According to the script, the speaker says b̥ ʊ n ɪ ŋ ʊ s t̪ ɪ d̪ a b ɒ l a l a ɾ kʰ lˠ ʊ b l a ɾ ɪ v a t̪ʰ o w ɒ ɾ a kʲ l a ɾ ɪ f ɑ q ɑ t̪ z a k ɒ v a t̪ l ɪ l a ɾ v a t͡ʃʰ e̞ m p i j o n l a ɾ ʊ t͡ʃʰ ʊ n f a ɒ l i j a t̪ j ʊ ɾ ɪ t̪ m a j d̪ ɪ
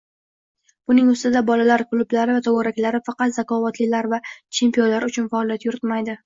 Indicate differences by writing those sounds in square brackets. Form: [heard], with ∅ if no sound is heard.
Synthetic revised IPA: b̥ ʊ n ɪ ŋ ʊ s t̪ ɪ d̪ a b ɒ l a l a ɾ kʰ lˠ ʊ b l a ɾ ɪ v a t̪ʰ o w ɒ ɾ a kʲ l a ɾ ɪ f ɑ q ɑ t̪ z a k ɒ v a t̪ l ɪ l a ɾ v a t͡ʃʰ e̞ m p i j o n l a ɾ ʊ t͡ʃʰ ʊ n f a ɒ l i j a t̪ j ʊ ɾ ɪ t̪ m a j d̪ ɪ